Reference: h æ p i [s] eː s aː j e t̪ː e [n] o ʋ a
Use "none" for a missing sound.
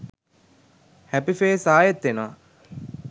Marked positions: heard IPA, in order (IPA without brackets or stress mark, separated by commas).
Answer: f, n